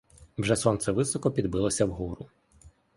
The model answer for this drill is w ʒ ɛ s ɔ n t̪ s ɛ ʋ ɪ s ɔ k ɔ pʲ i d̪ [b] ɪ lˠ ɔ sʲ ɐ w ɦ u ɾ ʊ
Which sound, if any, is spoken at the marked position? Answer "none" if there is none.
b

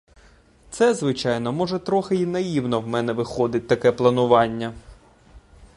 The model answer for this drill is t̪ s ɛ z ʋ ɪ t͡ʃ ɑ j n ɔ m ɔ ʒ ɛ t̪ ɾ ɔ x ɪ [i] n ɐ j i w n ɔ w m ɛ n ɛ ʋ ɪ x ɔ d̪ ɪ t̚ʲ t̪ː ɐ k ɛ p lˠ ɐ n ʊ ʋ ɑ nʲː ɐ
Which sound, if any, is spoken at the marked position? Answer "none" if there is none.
i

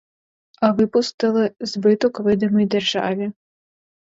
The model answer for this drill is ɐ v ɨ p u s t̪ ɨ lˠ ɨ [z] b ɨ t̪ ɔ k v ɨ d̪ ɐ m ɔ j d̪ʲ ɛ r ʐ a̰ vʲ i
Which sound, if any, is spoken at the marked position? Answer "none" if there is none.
z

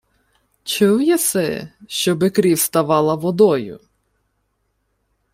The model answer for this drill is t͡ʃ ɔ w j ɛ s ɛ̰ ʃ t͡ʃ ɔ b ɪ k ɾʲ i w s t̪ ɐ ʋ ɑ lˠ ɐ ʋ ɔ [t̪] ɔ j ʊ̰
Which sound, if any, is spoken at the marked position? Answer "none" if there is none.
d̪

